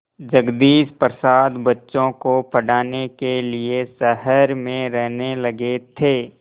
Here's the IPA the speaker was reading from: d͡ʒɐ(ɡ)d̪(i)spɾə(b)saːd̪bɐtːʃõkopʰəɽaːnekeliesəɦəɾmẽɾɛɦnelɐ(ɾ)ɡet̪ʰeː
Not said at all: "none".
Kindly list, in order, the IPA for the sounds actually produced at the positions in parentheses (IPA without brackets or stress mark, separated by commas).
ɡ, iː, none, none